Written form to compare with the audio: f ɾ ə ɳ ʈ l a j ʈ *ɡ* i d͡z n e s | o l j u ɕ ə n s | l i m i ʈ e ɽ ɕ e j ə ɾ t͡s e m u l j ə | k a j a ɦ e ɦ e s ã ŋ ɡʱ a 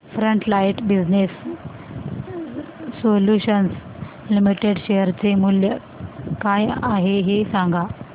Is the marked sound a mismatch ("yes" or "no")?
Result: yes